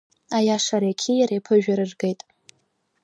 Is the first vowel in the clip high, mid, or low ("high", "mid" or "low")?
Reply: low